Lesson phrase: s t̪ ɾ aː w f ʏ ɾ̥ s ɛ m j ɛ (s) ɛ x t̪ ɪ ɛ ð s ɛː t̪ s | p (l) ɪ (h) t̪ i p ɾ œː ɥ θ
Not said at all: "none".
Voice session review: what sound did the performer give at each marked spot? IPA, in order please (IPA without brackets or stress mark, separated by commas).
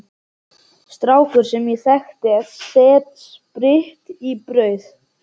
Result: θ, ɾ, h